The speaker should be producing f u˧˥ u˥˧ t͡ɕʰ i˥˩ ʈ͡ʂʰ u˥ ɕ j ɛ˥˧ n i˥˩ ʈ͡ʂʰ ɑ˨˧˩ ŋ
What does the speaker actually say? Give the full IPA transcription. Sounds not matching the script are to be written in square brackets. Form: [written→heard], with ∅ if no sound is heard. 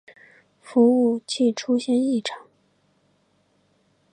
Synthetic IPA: f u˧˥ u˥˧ t͡ɕʰ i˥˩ ʈ͡ʂʰ u˥ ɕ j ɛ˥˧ n i˥˩ ʈ͡ʂʰ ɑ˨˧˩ ŋ